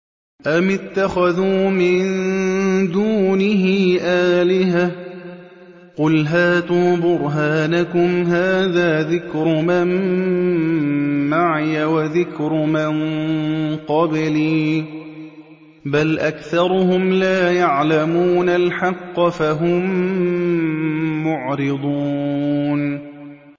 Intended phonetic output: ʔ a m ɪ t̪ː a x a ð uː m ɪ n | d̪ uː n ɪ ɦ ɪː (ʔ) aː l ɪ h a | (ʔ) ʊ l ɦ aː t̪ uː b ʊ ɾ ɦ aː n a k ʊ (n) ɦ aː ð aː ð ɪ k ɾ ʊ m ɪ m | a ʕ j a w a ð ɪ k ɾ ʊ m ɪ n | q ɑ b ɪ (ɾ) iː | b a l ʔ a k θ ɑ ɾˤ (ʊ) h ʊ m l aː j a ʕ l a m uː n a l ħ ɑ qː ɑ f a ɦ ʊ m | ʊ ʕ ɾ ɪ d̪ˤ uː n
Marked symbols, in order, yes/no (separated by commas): yes, no, no, no, yes